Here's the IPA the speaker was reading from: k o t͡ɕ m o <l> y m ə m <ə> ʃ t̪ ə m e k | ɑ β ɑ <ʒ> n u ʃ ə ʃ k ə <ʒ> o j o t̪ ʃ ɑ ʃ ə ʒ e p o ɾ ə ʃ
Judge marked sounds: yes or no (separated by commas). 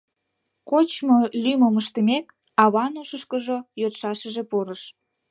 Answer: yes, yes, no, yes